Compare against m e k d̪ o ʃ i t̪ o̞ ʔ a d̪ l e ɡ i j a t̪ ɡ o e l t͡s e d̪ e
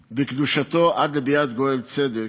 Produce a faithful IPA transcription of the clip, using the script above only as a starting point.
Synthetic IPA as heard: b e k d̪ u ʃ a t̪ o̞ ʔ a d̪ l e b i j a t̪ ɡ o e l t͡s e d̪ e